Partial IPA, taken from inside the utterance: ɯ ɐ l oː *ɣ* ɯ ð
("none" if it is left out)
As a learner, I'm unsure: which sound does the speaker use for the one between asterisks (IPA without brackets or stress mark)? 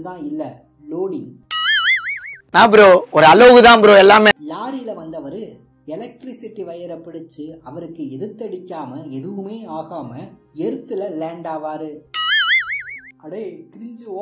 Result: ɣ